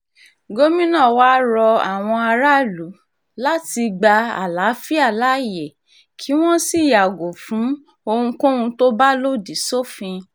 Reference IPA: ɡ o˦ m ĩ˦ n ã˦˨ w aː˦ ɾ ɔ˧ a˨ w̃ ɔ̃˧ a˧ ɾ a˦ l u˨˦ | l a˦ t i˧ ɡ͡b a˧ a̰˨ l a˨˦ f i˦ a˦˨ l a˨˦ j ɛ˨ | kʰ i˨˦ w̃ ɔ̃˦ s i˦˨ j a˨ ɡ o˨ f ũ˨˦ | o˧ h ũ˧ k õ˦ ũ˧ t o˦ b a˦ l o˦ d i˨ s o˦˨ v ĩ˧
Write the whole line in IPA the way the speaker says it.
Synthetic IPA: ɡ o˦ m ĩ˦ n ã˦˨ w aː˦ ɾ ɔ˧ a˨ w̃ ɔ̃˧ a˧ ɾ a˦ l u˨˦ | l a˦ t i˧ ɡ͡b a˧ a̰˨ l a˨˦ f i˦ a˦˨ l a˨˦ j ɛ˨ | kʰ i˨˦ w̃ ɔ̃˦ s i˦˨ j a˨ ɡ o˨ f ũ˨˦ | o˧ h ũ˧ k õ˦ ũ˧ t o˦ b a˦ l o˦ d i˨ s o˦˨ f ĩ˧